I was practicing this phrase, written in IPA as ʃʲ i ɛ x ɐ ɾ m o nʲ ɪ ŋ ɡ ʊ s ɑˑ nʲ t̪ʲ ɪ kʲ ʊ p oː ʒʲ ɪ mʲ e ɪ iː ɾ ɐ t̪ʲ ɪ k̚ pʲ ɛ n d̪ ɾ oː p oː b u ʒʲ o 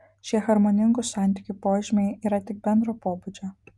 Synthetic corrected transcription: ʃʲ i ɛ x ɐ ɾ m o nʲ ɪ ŋ ɡ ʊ s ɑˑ nʲ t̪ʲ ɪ kʲ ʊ p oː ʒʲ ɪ mʲ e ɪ iː ɾ ɐ t̪ʲ ɪ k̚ bʲ ɛ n d̪ ɾ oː p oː b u d͡ʒʲ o